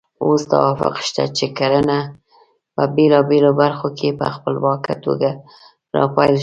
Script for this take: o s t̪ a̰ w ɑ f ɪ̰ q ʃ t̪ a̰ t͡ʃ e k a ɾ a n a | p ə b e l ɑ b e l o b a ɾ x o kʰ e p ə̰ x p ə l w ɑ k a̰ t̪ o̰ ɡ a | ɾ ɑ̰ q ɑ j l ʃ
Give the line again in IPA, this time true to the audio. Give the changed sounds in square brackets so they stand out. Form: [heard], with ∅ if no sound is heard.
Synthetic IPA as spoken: o s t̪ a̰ w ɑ f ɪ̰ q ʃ t̪ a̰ t͡ʃ e k a ɾ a n a | p ə b e l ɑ b e l o b a ɾ x o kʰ e p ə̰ x p ə l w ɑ k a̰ t̪ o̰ ɡ a | ɾ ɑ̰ [p] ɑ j l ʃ